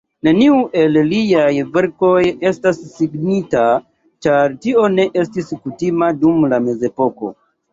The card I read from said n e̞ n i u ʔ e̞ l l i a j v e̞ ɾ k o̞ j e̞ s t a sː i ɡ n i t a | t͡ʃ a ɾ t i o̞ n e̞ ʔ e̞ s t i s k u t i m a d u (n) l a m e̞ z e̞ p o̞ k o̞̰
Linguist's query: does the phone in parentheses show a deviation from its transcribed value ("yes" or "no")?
yes